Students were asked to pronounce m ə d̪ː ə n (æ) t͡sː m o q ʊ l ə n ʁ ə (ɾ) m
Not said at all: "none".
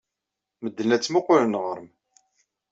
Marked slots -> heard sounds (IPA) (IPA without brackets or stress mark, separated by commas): æ, ɾ